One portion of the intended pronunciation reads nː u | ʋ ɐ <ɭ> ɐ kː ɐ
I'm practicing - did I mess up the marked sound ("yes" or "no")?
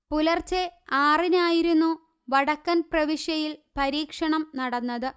yes